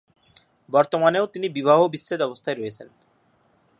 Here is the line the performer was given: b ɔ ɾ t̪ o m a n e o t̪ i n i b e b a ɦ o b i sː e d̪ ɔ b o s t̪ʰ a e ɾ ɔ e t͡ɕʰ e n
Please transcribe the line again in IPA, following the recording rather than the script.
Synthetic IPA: b ɔ ɾ t̪ o m a n e o t̪ i n i b i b a ɦ o b i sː e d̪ ɔ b o s t̪ʰ a e ɾ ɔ e t͡ɕʰ e n